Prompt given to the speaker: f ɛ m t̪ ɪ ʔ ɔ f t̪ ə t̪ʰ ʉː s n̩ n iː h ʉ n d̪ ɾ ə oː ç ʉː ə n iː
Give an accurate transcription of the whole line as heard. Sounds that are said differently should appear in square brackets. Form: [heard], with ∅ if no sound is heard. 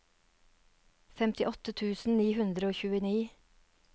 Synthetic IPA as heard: f ɛ m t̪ ɪ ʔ ɔ [∅] t̪ ə t̪ʰ ʉː s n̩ n iː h ʉ n d̪ ɾ ə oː ç ʉː ə n iː

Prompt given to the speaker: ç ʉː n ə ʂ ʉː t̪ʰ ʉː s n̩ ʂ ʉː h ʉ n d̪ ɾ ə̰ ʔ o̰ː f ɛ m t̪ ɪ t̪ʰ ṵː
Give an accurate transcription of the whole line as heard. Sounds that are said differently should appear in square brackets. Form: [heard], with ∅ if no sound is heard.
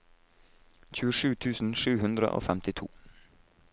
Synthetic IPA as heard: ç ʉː [∅] ə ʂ ʉː t̪ʰ ʉː s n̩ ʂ ʉː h ʉ n d̪ ɾ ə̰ ʔ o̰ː f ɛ m t̪ ɪ t̪ʰ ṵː

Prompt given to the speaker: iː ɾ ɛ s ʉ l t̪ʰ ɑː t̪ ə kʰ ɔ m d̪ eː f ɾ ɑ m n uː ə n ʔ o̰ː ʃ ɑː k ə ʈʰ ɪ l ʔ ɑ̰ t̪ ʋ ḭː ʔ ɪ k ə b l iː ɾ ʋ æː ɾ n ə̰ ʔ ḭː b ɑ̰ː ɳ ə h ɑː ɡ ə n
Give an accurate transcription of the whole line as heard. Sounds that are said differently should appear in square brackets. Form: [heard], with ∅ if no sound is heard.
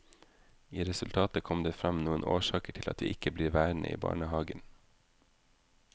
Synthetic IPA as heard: iː ɾ ɛ s ʉ l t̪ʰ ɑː t̪ ə kʰ ɔ m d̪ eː f ɾ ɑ m n uː ə n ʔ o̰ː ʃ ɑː k ə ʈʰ ɪ l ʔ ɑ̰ t̪ ʋ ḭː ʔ ɪ k ə b l iː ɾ ʋ æː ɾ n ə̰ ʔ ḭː b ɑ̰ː ɳ ə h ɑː ɡ ə n

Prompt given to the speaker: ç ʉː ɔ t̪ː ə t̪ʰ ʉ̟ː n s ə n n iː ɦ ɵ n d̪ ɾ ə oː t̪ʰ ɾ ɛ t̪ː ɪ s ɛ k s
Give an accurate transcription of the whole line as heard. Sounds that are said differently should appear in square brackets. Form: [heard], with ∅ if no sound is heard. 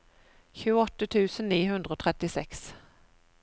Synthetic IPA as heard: ç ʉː ɔ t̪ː ə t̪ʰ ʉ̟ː [∅] s ə n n iː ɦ ɵ n d̪ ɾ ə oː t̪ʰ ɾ ɛ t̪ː ɪ s ɛ k s

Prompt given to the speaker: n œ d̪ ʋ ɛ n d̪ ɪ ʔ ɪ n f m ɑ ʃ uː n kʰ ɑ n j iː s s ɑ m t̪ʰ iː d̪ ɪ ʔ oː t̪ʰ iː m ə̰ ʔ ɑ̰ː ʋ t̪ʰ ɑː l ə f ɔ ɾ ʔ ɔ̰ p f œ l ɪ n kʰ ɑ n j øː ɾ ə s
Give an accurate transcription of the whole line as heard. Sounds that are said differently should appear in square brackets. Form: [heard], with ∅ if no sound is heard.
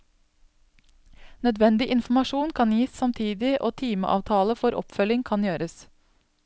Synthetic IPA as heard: n œ d̪ ʋ ɛ n d̪ ɪ ʔ ɪ n f m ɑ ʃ uː n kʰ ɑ n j iː s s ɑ m t̪ʰ iː d̪ ɪ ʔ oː t̪ʰ iː m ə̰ ʔ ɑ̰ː ʋ t̪ʰ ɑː l ə f ɔ ɾ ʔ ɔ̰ p f œ l ɪ [ŋ] kʰ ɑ n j øː ɾ ə s

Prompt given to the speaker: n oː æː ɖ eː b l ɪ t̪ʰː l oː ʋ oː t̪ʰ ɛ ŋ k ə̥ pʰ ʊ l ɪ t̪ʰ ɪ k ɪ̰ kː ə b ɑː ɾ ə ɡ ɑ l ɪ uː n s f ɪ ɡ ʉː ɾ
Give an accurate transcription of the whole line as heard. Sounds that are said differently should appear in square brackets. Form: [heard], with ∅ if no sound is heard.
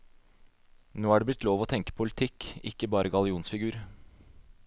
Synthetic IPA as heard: n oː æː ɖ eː b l ɪ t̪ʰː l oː ʋ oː t̪ʰ ɛ ŋ k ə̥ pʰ ʊ l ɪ t̪ʰ ɪ k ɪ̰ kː ə b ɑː ɾ ə ɡ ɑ l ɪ uː n s f ɪ ɡ ʉː ɾ

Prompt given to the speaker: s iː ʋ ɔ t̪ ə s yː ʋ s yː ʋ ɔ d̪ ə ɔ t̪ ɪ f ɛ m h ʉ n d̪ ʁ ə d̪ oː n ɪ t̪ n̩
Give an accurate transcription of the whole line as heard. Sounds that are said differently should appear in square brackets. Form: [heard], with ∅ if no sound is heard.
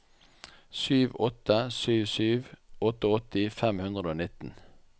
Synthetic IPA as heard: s [yː] ʋ ɔ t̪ ə s yː ʋ s yː ʋ ɔ [t̪] ə ɔ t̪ ɪ f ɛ m h ʉ n d̪ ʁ ə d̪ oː n ɪ t̪ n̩

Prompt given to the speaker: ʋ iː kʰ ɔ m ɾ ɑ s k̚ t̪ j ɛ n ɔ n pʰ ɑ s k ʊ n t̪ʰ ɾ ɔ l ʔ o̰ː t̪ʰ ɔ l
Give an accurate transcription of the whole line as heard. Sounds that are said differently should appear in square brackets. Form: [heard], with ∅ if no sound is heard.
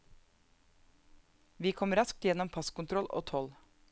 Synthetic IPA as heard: ʋ iː kʰ ɔ m ɾ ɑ s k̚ t̪ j ɛ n ɔ [m] pʰ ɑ s k ʊ n t̪ʰ ɾ ɔ l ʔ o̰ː t̪ʰ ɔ l

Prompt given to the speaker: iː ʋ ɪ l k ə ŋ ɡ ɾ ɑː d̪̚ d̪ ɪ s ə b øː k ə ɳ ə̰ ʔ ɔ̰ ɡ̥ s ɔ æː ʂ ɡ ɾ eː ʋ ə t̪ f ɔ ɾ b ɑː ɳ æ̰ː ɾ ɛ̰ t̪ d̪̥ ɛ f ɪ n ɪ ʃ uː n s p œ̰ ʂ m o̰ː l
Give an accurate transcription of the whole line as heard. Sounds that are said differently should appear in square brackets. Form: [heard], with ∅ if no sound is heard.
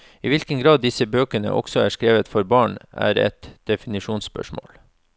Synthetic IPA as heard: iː ʋ ɪ l k ə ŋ ɡ ɾ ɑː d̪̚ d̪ ɪ s ə b øː k ə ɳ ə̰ ʔ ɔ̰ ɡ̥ s ɔ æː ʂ [k] ɾ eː ʋ ə t̪ f ɔ ɾ b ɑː ɳ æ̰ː ɾ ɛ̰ t̪ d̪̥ ɛ f ɪ n ɪ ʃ uː n s p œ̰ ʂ m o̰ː l

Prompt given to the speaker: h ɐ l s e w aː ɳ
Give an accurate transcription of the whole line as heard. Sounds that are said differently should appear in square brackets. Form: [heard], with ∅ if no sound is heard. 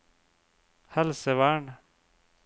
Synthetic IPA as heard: h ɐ l s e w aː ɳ

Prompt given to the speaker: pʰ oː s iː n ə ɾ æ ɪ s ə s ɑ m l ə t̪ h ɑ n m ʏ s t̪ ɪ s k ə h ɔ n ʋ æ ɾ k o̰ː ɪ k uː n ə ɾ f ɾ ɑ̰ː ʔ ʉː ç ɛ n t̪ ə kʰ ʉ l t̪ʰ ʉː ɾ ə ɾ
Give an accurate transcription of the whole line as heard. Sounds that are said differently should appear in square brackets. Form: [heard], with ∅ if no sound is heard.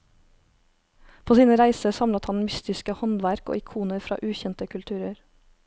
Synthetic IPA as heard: pʰ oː s iː n ə ɾ æ ɪ s ə s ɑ m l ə t̪ h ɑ n m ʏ s t̪ ɪ s k ə h ɔ n ʋ æ ɾ k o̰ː ɪ [kʰ] uː n ə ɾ f ɾ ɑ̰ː ʔ ʉː ç ɛ n t̪ ə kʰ ʉ l t̪ʰ ʉː ɾ ə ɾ

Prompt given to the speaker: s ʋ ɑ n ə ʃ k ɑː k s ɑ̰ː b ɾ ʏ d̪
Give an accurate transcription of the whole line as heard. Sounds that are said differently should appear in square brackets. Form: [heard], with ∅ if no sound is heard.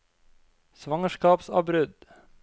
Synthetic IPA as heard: s ʋ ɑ [ŋ] ə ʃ k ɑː [p] s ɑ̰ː b ɾ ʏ d̪

